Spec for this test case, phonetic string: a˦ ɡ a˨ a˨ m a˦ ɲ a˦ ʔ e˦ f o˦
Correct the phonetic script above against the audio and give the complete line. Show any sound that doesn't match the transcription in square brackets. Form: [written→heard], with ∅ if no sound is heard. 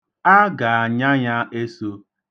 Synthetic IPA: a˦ ɡ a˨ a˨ [m→ɲ] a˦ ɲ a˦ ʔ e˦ [f→s] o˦

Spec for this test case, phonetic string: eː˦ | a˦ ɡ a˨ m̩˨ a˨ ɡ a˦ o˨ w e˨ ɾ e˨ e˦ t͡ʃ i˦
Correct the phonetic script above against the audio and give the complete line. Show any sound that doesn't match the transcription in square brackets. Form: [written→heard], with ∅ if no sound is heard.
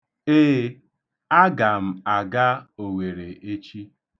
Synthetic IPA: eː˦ | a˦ ɡ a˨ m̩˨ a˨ ɡ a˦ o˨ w e˨ ɾ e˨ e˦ t͡ʃ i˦

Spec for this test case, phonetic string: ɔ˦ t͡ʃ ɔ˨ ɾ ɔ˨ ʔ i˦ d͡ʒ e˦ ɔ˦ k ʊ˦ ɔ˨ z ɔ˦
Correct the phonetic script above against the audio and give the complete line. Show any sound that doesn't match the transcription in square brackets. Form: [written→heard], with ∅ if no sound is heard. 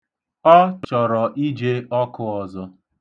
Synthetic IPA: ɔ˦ t͡ʃ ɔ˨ ɾ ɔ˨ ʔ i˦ d͡ʒ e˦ ɔ˦ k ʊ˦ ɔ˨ z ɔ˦

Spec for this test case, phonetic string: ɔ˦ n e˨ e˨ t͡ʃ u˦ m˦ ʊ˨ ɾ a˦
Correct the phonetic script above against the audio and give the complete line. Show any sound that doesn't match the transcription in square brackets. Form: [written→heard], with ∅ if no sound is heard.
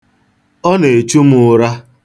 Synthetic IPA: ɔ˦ n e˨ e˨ t͡ʃ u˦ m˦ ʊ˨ ɾ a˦

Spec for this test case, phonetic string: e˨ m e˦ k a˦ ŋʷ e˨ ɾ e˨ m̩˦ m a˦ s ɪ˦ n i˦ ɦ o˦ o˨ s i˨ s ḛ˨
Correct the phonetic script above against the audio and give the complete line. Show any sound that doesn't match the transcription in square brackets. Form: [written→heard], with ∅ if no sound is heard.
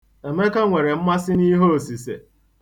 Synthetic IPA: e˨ m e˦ k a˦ ŋʷ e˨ ɾ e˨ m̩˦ m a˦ s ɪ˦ n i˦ ɦ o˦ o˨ s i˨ s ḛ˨

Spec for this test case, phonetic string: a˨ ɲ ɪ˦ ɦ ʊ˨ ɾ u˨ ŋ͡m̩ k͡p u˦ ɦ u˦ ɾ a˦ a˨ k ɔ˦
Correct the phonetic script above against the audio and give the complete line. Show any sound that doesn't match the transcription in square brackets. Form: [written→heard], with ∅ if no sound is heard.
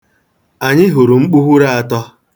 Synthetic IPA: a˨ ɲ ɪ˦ ɦ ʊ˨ ɾ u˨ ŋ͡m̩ k͡p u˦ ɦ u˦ ɾ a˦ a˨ [k→t] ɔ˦

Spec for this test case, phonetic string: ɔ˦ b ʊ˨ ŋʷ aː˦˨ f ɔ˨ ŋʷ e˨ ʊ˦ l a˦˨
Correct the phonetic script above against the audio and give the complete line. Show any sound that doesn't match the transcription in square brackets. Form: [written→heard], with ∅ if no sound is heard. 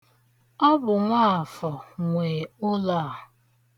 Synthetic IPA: ɔ˦ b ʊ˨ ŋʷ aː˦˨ f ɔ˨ ŋʷ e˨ ʊ˦ l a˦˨

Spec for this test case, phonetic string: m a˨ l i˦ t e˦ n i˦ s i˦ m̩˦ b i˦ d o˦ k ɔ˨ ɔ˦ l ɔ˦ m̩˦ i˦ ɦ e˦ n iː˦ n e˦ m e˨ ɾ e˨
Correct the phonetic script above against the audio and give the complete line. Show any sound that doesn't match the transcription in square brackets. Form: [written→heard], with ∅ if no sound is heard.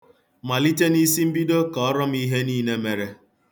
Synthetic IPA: m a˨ l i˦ t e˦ n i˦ s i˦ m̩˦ b i˦ d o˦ k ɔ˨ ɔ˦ [l→ɾ] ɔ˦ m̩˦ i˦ ɦ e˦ n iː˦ n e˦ m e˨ ɾ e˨

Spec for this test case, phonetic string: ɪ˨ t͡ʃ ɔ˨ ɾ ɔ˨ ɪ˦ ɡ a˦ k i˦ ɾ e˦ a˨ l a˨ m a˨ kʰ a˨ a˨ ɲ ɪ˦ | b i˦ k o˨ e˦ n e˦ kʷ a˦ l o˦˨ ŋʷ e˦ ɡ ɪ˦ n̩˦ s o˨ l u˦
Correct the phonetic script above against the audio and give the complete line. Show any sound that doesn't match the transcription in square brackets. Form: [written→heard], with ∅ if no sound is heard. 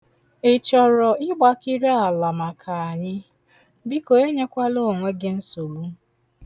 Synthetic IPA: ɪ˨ t͡ʃ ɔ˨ ɾ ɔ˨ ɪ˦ [ɡ→ɡ͡b] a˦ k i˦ ɾ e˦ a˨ l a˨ m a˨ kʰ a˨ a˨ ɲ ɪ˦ | b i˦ k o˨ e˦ [n→ɲ] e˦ kʷ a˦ l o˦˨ ŋʷ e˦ ɡ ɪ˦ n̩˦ s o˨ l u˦

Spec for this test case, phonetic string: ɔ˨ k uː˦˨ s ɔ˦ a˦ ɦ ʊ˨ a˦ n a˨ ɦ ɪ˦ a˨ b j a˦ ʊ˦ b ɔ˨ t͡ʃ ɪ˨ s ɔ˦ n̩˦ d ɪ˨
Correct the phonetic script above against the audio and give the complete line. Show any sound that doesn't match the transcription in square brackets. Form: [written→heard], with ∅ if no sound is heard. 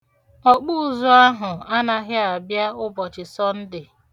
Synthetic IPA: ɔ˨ [k→k͡p] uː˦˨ [s→z] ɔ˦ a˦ ɦ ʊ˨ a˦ n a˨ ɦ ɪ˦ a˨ b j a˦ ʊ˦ b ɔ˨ t͡ʃ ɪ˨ s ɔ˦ n̩˦ d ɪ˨

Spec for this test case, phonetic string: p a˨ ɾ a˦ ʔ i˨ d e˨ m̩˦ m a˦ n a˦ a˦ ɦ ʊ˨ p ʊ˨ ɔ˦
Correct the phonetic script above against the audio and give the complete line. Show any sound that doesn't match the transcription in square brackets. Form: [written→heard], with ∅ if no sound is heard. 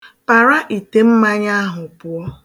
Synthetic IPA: p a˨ ɾ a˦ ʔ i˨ [d→t] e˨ m̩˦ m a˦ [n→ɲ] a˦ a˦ ɦ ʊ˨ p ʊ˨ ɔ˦

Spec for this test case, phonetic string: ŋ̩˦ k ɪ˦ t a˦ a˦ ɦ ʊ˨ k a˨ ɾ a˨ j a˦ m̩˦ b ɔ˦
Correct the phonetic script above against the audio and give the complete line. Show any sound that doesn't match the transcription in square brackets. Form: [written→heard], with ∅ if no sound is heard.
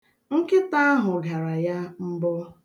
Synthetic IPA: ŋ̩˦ k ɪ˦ t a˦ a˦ ɦ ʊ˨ [k→ɡ] a˨ ɾ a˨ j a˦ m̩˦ b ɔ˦

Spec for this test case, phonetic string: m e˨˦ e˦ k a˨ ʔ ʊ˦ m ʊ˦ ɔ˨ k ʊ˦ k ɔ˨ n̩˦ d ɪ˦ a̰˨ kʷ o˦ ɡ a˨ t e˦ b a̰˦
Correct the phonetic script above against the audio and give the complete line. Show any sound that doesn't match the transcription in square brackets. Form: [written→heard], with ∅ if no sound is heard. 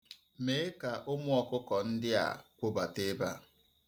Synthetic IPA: m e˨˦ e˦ k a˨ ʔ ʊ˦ m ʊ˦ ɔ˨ k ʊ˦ k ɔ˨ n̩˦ d ɪ˦ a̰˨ kʷ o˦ [ɡ→b] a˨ t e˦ b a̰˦

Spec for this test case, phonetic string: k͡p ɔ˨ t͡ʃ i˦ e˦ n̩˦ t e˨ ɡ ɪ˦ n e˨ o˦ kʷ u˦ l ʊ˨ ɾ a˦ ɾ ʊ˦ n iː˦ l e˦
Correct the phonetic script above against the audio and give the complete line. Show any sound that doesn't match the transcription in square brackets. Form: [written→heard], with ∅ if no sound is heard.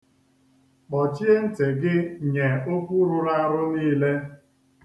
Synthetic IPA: k͡p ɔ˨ t͡ʃ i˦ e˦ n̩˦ t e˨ ɡ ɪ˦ [n→ɲ] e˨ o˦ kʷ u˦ [l→ɾ] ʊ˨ ɾ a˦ ɾ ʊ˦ n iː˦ l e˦

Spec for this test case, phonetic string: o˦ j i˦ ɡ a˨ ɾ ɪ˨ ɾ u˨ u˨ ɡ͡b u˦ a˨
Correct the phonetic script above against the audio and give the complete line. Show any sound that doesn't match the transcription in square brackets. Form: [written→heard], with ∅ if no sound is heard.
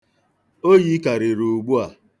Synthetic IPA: o˦ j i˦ [ɡ→k] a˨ ɾ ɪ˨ ɾ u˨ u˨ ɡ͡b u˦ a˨

